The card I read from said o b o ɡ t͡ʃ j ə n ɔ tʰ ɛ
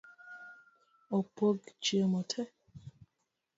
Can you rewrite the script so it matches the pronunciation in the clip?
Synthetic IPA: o p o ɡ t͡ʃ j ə m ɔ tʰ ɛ

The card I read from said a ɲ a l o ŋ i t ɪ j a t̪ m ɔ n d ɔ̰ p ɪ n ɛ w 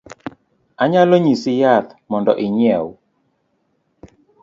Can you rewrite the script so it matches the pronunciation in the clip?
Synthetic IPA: a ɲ a l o ɲ i s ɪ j a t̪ m ɔ n d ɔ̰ ʔ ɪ ɲ ɛ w

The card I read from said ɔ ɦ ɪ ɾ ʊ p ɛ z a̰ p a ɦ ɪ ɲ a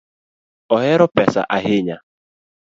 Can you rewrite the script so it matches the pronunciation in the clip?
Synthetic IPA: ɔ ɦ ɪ ɾ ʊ p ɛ s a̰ ʔ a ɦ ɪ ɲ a

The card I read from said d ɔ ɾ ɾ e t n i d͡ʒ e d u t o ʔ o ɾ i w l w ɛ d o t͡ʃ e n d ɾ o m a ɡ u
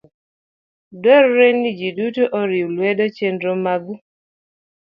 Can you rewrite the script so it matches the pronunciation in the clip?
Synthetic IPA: d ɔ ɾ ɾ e n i d͡ʒ i d u t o ʔ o ɾ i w l w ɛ d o t͡ʃ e n d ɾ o m a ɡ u

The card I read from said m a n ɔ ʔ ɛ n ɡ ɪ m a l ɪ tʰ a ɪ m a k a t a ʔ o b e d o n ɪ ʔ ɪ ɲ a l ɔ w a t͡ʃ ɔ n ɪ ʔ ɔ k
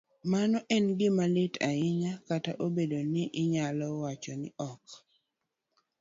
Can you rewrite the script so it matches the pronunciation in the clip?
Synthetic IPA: m a n ɔ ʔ ɛ n ɡ ɪ m a l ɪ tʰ a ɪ ɲ a k a t a ʔ o b e d o n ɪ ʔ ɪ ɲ a l ɔ w a t͡ʃ ɔ n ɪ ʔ ɔ k

